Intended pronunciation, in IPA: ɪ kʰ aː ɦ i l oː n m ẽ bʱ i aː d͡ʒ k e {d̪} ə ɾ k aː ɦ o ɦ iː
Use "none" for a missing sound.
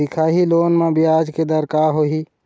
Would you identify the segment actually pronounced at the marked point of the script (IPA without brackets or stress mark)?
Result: d̪